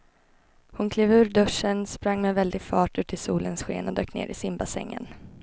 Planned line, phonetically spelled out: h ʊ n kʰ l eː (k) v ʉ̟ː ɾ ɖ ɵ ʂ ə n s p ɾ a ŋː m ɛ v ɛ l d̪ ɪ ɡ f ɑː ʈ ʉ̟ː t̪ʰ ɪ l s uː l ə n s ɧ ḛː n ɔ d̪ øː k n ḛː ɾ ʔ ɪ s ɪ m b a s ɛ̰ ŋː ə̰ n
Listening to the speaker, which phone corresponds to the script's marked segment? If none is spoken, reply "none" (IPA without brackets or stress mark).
none